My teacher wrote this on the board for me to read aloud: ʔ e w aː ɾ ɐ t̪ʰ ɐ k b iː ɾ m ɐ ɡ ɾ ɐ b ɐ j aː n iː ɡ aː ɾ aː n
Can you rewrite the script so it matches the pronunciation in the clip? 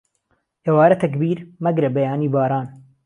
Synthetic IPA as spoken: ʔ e w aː ɾ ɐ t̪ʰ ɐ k b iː ɾ m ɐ ɡ ɾ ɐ b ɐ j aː n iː b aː ɾ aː n